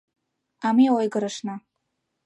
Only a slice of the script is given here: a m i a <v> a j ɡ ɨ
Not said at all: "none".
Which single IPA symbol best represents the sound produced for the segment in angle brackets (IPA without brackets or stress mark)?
w